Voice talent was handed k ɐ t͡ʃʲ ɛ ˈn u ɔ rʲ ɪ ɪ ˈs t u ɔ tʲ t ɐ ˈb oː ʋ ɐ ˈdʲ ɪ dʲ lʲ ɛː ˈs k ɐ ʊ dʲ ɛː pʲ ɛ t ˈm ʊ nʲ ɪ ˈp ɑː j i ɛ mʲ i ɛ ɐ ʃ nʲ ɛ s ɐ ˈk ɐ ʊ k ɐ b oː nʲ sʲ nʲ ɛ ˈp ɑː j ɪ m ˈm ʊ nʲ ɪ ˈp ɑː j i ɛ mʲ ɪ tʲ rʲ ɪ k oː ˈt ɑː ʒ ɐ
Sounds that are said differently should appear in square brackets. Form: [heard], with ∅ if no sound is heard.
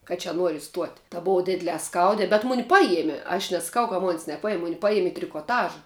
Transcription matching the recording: k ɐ t͡ʃʲ ɛ ˈn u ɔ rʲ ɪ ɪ ˈs t u ɔ tʲ t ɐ ˈb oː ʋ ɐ ˈdʲ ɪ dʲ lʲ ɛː ˈs k ɐ ʊ dʲ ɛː [bʲ] ɛ t ˈm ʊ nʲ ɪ ˈp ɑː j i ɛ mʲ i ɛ ɐ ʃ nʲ ɛ s ɐ ˈk ɐ ʊ k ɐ [m] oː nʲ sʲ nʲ ɛ ˈp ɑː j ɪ m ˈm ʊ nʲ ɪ ˈp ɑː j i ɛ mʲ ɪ tʲ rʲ ɪ k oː ˈt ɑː ʒ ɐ